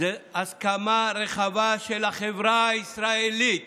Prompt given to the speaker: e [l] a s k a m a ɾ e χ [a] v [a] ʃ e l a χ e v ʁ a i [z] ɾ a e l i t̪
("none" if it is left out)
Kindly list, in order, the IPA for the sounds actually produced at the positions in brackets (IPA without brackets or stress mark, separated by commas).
none, a, a, s